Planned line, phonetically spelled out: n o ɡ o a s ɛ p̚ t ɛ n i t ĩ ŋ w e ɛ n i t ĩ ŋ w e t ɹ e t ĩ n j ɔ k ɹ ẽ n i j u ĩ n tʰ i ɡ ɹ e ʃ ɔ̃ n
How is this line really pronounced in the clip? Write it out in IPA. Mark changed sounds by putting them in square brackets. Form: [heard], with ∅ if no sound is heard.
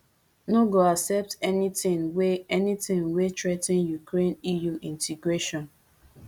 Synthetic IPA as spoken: n o ɡ o a s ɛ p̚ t ɛ n i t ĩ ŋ w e ɛ n i t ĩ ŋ w e t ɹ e t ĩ n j [u] k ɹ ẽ n i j u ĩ n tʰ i ɡ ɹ e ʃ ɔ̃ n